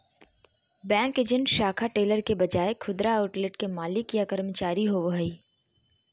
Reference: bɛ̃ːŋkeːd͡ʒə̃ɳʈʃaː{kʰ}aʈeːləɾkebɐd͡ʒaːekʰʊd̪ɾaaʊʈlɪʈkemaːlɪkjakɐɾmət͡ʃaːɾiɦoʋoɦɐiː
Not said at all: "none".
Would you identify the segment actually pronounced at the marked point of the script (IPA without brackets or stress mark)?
kʰ